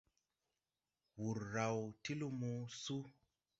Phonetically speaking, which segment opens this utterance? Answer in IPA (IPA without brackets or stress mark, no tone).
w